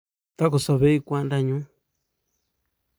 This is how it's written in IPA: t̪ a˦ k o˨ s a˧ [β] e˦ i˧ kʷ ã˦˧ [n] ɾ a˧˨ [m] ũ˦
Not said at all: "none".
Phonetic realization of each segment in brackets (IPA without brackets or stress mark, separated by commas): β, n, ɲ